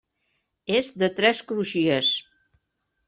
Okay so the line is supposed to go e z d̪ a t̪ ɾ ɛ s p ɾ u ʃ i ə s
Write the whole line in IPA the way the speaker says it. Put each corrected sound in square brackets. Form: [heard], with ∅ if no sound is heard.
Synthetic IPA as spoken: e z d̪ [ə] t̪ ɾ ɛ s [k] ɾ u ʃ i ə s